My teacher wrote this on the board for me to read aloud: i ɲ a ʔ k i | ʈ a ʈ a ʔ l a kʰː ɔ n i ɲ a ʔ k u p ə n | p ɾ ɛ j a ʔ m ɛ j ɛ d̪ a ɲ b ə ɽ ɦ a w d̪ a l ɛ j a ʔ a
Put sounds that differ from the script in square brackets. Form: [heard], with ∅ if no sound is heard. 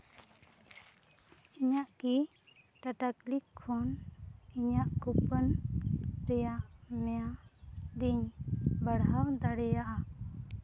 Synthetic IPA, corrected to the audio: i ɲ a ʔ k i | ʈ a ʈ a [k] l [i] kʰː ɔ n i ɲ a ʔ k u p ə n | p ɾ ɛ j a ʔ m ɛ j [a] d̪ [i] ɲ b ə ɽ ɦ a w d̪ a [ɽ] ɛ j a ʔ a